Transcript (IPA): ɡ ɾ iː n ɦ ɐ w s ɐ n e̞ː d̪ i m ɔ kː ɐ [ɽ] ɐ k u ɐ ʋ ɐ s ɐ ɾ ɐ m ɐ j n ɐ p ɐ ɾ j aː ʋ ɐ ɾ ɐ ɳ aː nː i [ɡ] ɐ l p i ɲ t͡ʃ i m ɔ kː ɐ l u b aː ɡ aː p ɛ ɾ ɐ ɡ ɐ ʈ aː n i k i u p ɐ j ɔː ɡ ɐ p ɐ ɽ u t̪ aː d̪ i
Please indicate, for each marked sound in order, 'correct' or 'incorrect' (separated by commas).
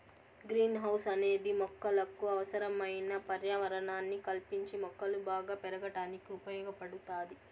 incorrect, incorrect